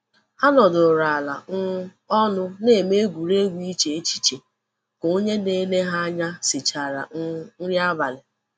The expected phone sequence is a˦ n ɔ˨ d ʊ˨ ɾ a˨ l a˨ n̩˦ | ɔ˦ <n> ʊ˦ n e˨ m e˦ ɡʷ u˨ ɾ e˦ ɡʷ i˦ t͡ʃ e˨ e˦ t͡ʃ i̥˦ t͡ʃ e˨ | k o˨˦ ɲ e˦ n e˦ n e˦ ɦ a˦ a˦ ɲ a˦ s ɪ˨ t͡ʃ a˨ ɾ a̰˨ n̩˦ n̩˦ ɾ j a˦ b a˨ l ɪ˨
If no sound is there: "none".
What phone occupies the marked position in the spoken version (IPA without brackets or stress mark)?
n